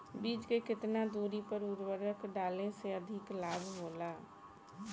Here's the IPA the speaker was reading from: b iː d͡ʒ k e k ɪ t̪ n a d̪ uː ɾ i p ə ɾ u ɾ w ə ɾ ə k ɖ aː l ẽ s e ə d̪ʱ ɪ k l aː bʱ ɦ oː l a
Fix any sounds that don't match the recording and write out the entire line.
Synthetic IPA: b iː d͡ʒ k e k ɪ t̪ n a d̪ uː ɾ i p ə ɾ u ɾ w ə ɾ ə k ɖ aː l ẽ s e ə d̪ʱ ɪ k l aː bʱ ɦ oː l a